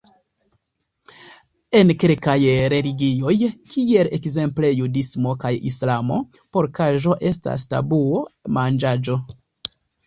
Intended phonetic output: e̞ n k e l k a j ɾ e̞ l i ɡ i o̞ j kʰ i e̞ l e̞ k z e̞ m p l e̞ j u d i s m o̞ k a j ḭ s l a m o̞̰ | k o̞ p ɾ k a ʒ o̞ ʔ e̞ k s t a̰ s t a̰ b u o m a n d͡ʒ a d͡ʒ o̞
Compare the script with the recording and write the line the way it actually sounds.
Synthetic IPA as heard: e̞ n k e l k a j ɾ e̞ l i ɡ i o̞ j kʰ i e̞ l e̞ k z e̞ m p l e̞ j u d i s m o̞ k a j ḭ s l a m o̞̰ | p o̞ ɾ k a ʒ o̞ ʔ e̞ s t a̰ s t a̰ b u o m a n d͡ʒ a d͡ʒ o̞